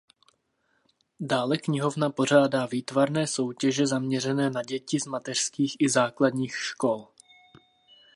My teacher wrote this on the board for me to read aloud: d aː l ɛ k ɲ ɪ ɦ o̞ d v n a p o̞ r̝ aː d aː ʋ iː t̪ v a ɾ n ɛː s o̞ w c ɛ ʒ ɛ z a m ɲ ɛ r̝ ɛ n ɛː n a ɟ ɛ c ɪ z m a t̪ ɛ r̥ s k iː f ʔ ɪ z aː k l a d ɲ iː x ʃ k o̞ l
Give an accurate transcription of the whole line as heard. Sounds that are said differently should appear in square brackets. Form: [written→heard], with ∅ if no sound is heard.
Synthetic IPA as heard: d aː l ɛ k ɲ ɪ ɦ o̞ [d→∅] v n a p o̞ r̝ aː d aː [ʋ→v] iː t̪ v a ɾ n ɛː s o̞ w c ɛ ʒ ɛ z a m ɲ ɛ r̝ ɛ n ɛː n a ɟ ɛ c ɪ z m a t̪ ɛ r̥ s k iː [f→x] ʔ ɪ z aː k l a d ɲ iː x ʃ k o̞ l